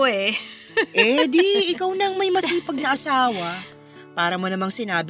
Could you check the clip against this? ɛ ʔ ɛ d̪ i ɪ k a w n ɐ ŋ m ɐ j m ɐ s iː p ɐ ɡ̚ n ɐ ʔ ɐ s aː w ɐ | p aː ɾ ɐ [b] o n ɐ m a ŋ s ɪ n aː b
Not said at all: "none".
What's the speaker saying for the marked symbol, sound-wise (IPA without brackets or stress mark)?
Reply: m